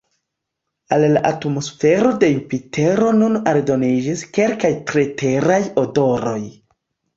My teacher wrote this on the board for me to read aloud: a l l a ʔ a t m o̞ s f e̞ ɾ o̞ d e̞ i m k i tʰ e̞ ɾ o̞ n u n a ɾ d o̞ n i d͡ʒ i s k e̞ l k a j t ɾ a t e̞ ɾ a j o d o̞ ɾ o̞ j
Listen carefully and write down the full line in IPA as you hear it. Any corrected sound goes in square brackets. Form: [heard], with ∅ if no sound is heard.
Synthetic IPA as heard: a l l a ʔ a t m o̞ s f e̞ ɾ o̞ d e̞ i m [p] i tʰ e̞ ɾ o̞ n u n a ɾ d o̞ n i d͡ʒ i s k e̞ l k a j t ɾ [e] t e̞ ɾ a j o d o̞ ɾ o̞ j

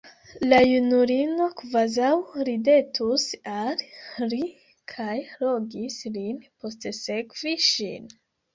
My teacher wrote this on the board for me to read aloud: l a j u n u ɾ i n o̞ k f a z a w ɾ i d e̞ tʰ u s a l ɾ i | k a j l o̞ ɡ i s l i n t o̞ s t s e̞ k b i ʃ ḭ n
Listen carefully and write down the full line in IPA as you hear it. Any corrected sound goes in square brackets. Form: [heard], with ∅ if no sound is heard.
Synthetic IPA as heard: l a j u n u ɾ i n o̞ k [v] a z a w ɾ i d e̞ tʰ u s a l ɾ i | [kʰ] a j l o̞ ɡ i s l i n [p] o̞ s t s e̞ k [v] i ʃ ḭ n

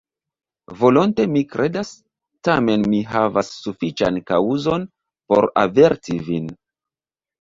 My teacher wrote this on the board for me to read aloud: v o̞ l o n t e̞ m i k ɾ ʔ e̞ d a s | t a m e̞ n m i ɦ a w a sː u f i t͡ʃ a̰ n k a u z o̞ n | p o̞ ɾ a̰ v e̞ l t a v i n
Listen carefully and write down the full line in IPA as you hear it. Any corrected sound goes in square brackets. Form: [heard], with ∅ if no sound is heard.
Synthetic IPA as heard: v o̞ l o n t e̞ m i k ɾ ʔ e̞ d a s | t a m e̞ n m i ɦ a [v] a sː u f i t͡ʃ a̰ n k a u z o̞ n | p o̞ ɾ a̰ v e̞ [ɾ] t [i] v i n

